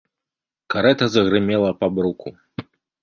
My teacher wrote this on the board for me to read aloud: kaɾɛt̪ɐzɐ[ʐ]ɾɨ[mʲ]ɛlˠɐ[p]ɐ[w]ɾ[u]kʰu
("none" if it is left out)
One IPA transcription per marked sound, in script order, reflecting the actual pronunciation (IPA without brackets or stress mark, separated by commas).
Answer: ɣ, mʲ, p, b, u